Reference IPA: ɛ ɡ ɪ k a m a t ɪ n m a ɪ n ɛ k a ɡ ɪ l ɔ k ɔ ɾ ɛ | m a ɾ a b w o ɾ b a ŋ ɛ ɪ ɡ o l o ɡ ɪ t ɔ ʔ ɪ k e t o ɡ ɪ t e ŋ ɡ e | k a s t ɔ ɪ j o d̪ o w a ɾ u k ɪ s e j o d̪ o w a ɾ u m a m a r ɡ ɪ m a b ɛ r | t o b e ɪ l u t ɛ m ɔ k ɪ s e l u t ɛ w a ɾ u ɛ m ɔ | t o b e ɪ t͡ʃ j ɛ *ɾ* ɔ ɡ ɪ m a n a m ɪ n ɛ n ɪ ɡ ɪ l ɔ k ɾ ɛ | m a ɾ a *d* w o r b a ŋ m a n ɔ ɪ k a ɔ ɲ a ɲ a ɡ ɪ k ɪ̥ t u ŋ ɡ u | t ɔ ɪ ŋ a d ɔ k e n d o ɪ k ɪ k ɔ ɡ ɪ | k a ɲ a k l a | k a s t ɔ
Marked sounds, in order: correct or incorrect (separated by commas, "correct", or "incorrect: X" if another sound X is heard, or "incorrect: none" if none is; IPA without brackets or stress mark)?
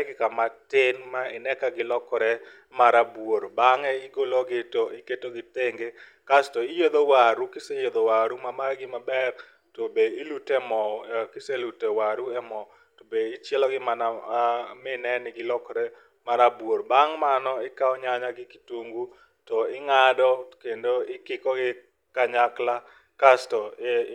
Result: incorrect: l, incorrect: b